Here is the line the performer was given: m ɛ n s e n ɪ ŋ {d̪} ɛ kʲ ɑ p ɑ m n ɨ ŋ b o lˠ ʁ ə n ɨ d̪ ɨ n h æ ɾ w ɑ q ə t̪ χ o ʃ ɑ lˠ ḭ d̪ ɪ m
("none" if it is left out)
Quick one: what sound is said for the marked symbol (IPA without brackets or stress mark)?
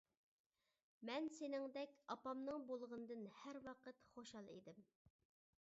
d̪